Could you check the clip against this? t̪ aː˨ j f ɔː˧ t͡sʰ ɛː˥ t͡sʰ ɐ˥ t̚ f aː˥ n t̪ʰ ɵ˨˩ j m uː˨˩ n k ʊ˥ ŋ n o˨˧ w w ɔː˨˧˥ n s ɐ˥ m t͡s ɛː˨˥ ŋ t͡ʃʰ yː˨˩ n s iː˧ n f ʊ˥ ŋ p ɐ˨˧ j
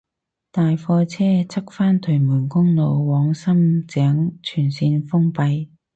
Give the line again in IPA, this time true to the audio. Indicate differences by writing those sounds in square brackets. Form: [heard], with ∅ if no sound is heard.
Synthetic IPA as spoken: t̪ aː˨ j f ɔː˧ t͡sʰ ɛː˥ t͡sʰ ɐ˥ [k̚] f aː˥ n t̪ʰ ɵ˨˩ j m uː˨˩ n k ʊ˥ ŋ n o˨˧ w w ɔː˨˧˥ [ŋ] s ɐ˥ m t͡s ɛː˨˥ ŋ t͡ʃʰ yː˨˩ n s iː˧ n f ʊ˥ ŋ p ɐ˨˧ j